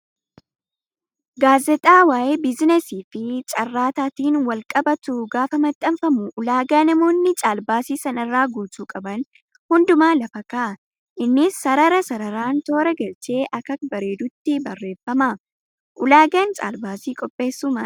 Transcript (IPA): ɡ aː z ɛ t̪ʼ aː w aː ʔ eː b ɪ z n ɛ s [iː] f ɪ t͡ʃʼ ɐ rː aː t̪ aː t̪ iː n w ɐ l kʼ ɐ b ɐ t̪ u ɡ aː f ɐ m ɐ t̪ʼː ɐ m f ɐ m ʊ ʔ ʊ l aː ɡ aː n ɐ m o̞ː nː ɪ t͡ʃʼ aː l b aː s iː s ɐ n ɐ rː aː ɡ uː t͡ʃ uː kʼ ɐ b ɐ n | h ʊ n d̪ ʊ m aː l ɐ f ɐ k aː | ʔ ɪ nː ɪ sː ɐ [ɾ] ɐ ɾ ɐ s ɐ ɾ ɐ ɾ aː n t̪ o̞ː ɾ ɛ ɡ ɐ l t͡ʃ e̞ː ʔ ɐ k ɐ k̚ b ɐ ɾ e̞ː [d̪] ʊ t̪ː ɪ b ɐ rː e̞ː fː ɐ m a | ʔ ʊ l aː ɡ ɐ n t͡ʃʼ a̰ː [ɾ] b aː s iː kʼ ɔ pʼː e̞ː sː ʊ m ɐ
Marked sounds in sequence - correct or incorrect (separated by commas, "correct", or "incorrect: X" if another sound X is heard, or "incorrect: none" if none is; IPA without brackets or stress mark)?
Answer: correct, correct, correct, incorrect: l